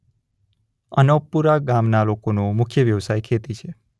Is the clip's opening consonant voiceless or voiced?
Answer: voiced